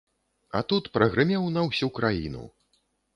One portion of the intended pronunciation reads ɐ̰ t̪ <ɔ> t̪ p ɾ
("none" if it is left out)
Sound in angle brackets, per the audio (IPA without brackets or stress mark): u